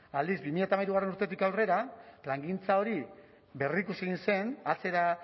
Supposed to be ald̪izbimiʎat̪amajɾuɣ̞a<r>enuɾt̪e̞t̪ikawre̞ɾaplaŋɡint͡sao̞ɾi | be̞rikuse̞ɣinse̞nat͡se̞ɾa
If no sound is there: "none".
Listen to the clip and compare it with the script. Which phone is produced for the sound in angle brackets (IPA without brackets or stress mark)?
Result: r